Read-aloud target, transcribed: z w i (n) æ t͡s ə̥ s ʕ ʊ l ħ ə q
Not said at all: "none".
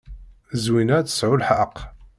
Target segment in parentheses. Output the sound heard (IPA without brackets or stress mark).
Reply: n